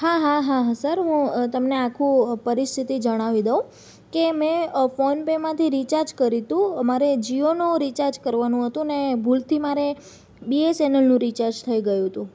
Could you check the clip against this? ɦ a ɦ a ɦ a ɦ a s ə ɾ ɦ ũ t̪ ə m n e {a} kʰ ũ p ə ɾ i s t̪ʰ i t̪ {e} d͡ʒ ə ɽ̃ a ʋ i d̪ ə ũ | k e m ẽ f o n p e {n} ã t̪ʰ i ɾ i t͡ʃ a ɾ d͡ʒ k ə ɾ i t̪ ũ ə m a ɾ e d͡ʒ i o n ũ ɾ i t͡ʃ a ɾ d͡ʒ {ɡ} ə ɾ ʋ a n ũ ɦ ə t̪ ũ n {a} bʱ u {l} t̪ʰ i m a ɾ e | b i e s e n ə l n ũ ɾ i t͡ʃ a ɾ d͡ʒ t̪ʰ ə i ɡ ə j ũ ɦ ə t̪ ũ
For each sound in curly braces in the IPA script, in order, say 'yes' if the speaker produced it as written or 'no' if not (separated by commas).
yes, no, no, no, no, yes